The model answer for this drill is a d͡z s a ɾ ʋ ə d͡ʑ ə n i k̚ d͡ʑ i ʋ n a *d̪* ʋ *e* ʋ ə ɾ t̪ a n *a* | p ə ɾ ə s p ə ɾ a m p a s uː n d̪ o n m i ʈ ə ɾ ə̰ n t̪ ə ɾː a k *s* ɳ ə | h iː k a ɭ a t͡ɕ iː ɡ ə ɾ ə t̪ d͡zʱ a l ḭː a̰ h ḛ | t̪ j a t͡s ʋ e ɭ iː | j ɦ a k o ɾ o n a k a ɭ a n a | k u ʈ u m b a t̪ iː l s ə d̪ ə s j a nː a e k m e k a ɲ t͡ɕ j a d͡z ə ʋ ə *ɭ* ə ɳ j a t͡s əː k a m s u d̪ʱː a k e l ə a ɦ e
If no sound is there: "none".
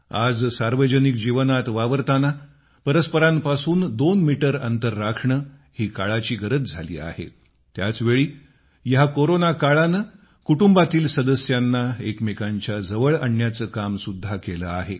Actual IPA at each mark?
t̪, a, a, ʂ, ɭ

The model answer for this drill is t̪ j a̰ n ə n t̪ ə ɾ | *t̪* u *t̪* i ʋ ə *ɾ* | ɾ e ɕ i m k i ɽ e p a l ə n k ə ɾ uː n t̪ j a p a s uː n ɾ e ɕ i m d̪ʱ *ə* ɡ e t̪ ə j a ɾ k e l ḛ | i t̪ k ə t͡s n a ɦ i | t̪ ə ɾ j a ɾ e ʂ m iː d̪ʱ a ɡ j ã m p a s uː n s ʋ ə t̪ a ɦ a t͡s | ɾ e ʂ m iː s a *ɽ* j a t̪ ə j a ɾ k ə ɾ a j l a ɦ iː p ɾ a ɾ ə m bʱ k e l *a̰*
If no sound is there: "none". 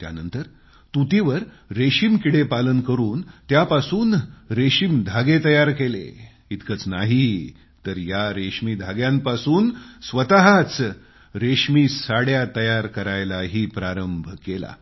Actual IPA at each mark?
t̪, t̪, ɾ, a, ɽ, a̰

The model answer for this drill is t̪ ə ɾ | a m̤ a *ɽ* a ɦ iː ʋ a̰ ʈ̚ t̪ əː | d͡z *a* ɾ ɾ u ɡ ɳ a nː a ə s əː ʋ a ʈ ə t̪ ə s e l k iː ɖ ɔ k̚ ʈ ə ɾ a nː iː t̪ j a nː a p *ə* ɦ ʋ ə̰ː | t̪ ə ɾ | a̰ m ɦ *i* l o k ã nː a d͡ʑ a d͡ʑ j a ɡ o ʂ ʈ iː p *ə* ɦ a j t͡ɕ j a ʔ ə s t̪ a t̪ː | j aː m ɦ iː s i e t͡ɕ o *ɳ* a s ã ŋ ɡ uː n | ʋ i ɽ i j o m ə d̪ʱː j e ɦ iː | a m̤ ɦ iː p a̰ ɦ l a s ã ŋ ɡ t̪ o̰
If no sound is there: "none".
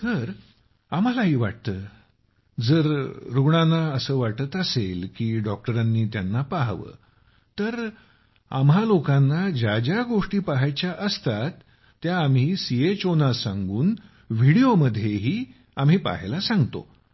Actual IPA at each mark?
l, ə, a, a, a, n

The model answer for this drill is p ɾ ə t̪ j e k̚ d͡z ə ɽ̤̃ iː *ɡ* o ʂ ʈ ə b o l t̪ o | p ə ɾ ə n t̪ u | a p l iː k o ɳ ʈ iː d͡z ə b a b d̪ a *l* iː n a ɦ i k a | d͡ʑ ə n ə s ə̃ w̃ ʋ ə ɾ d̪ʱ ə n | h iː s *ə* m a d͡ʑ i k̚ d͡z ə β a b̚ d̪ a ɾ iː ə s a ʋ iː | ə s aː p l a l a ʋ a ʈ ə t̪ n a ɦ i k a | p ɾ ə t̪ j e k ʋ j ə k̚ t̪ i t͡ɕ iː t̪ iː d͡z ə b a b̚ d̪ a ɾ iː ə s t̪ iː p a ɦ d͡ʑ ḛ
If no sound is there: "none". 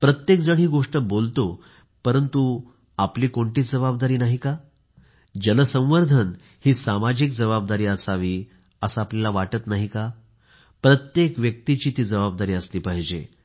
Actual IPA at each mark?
ɡ, ɾ, a

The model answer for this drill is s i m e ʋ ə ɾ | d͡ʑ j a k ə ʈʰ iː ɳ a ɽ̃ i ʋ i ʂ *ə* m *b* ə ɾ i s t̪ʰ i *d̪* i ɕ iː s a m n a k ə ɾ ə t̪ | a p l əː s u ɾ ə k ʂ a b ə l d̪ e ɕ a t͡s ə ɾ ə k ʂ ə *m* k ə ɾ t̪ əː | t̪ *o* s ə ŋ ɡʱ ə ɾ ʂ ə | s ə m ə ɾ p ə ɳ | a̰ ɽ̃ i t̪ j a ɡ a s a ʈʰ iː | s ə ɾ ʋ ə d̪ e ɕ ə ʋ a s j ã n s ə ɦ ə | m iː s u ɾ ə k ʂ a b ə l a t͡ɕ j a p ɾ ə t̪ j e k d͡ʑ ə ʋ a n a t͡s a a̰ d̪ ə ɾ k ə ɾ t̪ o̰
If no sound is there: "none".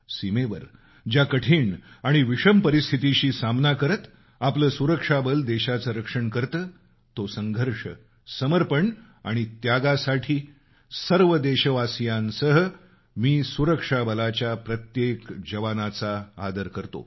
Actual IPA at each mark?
ə, p, t̪, ɳ, o

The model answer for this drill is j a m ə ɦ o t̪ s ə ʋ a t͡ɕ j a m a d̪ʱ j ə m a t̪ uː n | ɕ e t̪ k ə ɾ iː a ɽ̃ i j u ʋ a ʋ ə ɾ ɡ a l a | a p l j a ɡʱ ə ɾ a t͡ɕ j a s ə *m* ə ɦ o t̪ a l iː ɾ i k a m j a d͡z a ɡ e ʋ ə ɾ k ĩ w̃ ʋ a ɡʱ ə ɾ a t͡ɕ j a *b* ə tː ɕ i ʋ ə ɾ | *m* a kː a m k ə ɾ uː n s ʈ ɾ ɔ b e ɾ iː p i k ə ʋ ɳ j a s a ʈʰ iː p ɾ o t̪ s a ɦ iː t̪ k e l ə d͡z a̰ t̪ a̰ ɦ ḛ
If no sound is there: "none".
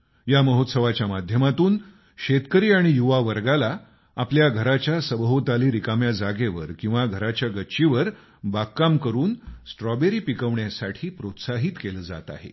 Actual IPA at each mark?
b, ɡ, b

